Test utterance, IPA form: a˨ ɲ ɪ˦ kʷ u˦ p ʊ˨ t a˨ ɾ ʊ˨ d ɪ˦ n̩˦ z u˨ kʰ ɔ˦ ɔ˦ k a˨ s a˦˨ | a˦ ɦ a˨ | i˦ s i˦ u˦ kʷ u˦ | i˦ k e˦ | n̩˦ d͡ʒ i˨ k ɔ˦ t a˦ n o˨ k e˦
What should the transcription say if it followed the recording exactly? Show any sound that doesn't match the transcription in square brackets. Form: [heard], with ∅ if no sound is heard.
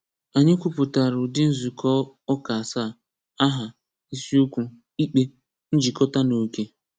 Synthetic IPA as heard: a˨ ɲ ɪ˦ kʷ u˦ p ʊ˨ t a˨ ɾ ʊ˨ d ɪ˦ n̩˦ z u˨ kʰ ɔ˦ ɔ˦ k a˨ s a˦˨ | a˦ ɦ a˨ | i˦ s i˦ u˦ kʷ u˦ | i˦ [k͡p] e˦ | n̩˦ d͡ʒ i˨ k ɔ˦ t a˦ n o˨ k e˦